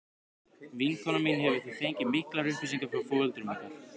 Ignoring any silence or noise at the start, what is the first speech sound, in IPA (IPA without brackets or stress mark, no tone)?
v